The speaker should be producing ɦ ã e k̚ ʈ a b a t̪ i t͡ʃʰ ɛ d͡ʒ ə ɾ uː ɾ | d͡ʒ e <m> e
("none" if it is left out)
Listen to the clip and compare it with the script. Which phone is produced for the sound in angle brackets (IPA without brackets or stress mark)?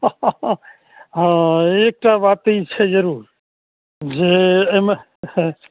m